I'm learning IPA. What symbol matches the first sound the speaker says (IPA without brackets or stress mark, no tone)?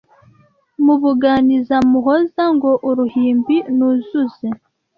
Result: m